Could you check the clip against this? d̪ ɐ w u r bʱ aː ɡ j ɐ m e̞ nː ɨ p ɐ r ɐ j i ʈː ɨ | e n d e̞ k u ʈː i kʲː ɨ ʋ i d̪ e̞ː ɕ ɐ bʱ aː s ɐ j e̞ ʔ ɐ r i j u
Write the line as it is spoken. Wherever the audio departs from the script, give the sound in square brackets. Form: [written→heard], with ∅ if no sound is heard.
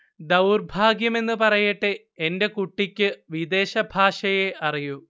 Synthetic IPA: d̪ ɐ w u r bʱ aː ɡ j ɐ m e̞ nː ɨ p ɐ r ɐ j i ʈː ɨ | e n d e̞ k u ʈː i kʲː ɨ ʋ i d̪ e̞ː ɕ ɐ bʱ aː [s→ʂ] ɐ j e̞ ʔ ɐ r i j u